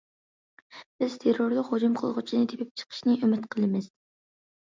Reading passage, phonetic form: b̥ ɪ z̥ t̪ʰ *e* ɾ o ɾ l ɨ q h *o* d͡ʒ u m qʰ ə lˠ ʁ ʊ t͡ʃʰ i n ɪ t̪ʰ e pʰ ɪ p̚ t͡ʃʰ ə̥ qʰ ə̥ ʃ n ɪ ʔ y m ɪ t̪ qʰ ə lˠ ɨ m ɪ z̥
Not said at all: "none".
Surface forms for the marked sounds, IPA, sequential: e, o

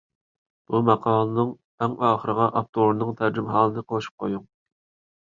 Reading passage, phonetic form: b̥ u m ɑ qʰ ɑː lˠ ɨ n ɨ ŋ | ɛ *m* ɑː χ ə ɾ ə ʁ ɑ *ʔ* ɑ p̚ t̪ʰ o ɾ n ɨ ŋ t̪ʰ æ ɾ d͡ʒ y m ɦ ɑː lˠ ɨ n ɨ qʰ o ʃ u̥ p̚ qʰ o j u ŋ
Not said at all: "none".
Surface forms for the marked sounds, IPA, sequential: ŋ, ʔ

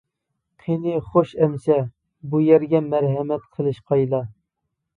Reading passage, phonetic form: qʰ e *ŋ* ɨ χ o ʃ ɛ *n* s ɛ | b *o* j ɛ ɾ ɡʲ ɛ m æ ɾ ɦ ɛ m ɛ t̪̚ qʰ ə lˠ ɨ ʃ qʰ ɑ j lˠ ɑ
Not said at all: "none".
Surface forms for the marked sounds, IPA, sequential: n, m, u

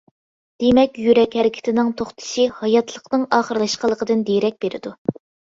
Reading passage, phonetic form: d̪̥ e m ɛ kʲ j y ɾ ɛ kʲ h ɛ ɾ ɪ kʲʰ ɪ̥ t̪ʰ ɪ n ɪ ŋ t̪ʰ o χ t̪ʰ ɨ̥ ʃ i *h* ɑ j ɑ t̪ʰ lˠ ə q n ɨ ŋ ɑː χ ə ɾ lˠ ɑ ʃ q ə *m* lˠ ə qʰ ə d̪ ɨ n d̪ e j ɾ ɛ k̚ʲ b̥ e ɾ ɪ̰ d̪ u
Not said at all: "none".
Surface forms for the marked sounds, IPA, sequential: h, none

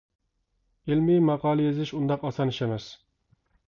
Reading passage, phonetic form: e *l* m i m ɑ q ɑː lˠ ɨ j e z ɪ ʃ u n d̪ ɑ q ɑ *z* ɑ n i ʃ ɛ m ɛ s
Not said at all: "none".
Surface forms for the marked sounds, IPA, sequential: l, s

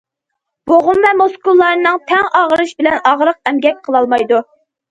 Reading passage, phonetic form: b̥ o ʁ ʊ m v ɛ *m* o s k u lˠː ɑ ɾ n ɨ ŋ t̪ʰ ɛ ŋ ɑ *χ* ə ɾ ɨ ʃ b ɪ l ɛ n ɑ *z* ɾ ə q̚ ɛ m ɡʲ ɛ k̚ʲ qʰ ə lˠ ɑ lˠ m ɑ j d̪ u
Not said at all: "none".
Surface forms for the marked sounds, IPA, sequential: m, ʁ, ʁ

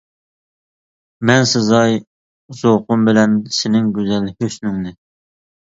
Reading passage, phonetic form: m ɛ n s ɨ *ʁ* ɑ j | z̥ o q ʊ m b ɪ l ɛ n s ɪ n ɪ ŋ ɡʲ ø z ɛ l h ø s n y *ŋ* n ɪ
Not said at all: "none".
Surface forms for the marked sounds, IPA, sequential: z, ŋ

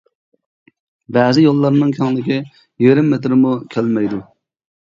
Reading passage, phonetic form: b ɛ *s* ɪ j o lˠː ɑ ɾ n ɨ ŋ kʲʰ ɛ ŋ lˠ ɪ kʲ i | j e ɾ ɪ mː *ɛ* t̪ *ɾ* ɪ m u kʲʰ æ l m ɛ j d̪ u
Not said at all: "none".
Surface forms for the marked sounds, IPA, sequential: z, e, ɾ

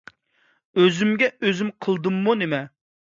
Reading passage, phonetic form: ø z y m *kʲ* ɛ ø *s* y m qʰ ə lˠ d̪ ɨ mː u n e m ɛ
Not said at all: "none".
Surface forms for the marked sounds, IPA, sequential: ɡʲ, z

